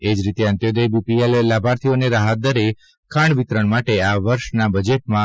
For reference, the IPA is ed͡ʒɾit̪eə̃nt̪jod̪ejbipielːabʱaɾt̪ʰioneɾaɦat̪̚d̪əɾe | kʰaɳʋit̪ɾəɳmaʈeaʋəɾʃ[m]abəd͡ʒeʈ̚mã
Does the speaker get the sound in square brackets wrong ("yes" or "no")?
yes